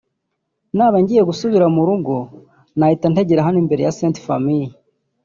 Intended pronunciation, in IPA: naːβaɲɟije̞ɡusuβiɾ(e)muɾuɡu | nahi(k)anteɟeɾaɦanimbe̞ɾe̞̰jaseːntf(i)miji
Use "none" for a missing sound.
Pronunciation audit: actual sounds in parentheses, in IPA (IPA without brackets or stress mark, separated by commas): a, t, a